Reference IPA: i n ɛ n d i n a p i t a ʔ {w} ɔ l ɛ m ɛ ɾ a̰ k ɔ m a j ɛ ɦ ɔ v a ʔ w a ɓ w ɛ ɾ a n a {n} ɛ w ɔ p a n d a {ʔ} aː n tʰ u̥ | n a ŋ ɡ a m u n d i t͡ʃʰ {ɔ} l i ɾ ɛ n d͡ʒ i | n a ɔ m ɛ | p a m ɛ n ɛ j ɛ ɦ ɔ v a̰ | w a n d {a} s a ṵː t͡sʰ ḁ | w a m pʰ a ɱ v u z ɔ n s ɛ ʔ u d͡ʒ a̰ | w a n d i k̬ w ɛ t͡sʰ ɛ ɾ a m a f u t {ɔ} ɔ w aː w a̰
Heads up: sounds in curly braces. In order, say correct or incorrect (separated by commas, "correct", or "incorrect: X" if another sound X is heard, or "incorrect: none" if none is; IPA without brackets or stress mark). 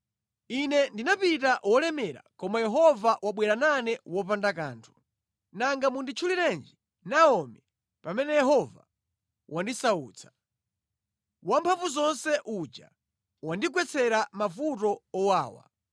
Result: correct, correct, incorrect: k, incorrect: u, incorrect: i, correct